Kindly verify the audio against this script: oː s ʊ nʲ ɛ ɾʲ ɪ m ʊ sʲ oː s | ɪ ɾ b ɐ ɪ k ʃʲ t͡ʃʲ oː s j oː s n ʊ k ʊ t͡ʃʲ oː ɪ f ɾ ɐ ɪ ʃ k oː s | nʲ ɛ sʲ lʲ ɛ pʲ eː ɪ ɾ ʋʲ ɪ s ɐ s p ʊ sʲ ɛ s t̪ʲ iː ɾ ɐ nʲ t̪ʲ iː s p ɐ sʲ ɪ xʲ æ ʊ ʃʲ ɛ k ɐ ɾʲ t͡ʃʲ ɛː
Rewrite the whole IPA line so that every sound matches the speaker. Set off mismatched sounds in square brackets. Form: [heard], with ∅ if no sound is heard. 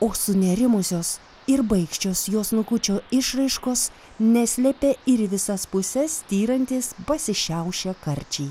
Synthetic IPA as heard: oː s ʊ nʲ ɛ ɾʲ ɪ m ʊ sʲ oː s | ɪ ɾ b ɐ ɪ k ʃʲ t͡ʃʲ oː s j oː s n ʊ k ʊ t͡ʃʲ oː ɪ [ʃ] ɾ ɐ ɪ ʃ k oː s | nʲ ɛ sʲ lʲ ɛ pʲ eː ɪ ɾ ʋʲ ɪ s ɐ s p ʊ sʲ ɛ s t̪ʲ iː ɾ ɐ nʲ t̪ʲ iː s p ɐ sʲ ɪ [ʃʲ] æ ʊ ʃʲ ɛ k ɐ ɾʲ t͡ʃʲ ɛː